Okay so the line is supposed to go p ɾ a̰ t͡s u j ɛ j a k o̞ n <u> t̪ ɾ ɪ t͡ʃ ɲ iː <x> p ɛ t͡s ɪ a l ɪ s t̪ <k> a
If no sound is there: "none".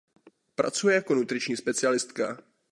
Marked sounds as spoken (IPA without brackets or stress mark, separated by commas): u, s, k